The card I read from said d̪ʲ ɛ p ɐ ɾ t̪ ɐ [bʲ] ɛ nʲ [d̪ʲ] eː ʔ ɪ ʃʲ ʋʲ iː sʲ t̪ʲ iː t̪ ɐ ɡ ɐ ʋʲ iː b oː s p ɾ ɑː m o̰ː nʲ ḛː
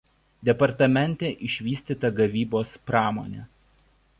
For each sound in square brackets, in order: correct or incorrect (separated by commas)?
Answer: incorrect, incorrect